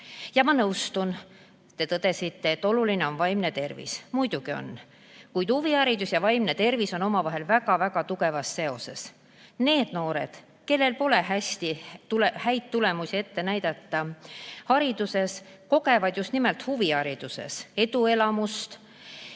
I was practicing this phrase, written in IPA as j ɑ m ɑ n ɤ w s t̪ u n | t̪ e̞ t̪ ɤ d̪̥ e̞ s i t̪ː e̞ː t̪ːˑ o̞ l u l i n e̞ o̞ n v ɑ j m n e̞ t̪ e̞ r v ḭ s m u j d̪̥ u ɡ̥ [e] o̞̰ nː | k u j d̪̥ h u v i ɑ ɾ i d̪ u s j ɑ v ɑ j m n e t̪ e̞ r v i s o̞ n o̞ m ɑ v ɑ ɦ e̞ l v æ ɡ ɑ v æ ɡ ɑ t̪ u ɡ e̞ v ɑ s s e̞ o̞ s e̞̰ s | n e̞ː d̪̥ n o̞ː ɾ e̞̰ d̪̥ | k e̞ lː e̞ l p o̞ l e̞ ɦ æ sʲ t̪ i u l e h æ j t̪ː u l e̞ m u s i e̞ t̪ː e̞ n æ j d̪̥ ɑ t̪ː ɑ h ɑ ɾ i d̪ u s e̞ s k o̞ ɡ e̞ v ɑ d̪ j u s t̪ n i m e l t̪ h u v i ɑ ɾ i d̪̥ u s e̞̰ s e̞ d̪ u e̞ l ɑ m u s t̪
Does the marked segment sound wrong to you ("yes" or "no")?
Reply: yes